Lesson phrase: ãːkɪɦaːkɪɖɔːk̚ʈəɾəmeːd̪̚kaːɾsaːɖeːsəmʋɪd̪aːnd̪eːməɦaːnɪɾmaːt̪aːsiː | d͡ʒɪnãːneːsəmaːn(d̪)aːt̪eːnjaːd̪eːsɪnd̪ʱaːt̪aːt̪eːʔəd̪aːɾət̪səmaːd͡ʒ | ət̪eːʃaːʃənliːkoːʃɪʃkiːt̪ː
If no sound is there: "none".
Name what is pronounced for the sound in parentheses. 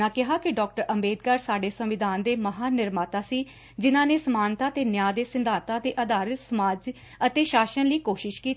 t̪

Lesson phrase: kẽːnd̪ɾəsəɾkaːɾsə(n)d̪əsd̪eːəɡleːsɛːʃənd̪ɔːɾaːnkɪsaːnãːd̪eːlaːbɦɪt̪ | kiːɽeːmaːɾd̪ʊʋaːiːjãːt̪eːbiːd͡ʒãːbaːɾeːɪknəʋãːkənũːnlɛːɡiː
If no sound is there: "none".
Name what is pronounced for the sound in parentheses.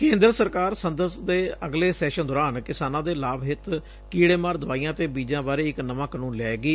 n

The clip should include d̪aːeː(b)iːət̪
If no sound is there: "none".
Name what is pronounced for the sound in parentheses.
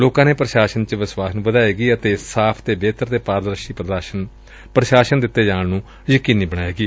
ɡ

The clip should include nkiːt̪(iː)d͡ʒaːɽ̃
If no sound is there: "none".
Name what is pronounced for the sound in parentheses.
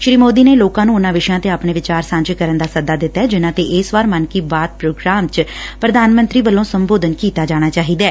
aː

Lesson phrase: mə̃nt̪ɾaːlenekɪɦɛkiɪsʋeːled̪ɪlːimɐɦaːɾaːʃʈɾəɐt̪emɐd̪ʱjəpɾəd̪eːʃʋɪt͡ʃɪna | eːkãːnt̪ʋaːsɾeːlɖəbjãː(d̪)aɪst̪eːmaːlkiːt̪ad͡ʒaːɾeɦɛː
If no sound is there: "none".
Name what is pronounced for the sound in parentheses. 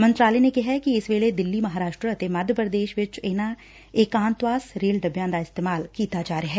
d̪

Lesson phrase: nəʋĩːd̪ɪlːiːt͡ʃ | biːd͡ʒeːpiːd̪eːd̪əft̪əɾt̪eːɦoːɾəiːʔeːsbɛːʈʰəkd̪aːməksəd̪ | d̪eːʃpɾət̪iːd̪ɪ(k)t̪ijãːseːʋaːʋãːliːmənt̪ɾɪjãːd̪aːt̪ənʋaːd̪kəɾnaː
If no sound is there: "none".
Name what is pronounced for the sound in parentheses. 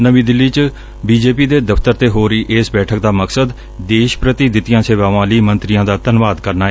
none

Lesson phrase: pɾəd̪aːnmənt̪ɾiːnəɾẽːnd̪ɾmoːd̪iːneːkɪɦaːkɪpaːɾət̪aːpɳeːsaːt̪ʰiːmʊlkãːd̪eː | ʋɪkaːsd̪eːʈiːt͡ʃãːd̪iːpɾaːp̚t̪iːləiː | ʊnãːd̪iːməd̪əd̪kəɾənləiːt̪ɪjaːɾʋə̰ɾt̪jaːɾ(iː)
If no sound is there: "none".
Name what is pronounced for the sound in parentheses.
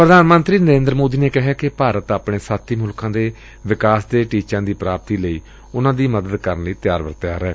ɛː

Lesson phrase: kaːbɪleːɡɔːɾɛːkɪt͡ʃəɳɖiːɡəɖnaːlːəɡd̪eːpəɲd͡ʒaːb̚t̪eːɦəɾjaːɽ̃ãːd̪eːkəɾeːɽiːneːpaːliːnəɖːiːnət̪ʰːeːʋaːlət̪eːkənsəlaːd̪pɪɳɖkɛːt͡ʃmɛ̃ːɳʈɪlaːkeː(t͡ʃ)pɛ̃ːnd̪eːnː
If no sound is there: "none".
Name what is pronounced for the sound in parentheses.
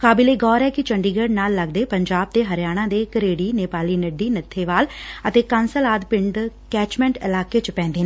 t͡ʃ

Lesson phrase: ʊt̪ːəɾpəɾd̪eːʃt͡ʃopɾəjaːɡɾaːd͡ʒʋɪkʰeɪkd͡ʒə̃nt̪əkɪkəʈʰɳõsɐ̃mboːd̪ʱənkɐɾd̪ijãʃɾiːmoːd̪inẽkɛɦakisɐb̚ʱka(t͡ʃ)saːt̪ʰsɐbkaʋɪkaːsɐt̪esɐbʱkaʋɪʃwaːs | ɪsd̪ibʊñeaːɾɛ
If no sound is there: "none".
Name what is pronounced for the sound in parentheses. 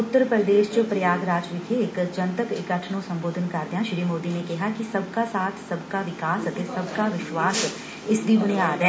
none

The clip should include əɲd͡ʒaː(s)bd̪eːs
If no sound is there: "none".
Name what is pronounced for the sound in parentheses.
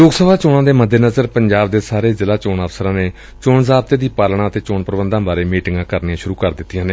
none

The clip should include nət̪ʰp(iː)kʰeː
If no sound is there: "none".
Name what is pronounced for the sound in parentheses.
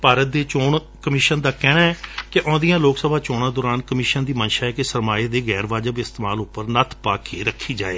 aː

